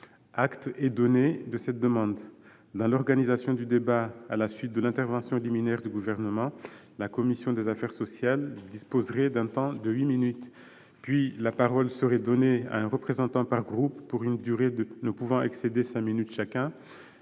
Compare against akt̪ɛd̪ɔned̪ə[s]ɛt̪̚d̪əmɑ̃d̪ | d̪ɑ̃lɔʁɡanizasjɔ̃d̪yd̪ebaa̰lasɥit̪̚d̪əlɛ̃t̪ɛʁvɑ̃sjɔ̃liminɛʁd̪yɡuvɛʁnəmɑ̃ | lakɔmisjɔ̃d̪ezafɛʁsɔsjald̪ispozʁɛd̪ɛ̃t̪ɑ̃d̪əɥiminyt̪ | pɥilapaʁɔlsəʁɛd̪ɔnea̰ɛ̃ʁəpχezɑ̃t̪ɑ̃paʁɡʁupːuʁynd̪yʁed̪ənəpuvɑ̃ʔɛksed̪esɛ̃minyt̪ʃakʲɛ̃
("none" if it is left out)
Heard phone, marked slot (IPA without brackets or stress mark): s